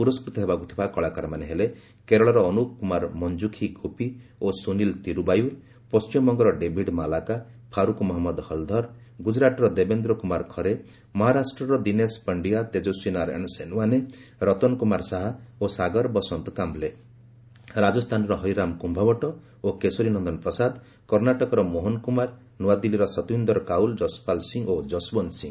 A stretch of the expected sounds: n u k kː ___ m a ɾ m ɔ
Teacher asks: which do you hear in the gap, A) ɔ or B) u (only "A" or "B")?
B